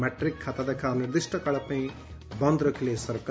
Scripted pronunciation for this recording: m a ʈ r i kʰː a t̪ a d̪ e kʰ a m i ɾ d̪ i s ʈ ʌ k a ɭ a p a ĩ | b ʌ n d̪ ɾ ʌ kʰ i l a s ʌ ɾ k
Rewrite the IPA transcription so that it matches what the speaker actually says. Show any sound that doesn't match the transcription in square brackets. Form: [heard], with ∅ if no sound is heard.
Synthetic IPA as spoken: m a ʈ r i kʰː a t̪ a d̪ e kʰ a [n] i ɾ d̪ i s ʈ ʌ k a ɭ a p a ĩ | b ʌ n d̪ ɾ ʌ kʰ i l [e] s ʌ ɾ k